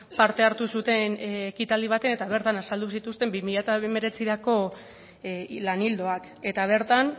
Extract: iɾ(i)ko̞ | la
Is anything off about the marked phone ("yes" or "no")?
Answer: yes